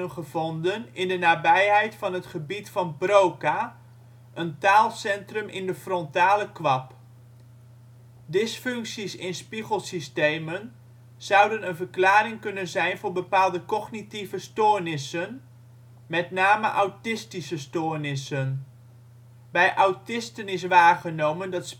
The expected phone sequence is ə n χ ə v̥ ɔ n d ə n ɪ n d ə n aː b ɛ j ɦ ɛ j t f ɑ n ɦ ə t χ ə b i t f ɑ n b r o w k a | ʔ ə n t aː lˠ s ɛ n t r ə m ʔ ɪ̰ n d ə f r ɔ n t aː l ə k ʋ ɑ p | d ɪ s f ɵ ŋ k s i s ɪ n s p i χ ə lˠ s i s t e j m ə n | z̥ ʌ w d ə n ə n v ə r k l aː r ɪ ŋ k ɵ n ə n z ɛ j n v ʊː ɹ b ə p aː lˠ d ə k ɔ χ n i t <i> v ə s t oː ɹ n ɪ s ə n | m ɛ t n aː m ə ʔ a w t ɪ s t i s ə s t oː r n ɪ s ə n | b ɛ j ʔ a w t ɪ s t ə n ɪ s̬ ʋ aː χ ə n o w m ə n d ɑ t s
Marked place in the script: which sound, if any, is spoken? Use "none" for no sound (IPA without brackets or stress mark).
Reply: i